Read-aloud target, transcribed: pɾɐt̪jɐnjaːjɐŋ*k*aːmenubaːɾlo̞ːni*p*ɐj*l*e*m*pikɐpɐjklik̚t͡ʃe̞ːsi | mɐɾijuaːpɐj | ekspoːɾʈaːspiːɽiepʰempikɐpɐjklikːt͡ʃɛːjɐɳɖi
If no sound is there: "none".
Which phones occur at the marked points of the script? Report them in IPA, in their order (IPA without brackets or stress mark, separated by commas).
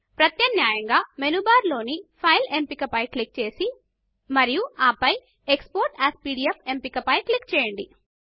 ɡ, pʰ, l, m